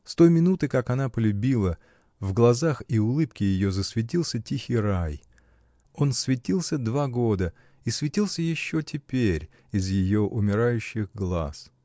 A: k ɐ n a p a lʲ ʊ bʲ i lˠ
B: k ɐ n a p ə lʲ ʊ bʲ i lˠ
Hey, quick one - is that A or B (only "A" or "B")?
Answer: B